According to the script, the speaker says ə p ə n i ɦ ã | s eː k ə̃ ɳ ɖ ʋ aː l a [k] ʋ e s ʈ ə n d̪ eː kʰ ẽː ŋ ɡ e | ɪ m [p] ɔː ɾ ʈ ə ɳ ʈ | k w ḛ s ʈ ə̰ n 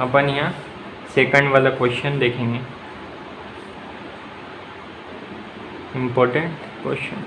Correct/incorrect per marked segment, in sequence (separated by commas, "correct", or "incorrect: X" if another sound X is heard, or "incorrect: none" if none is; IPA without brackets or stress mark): correct, correct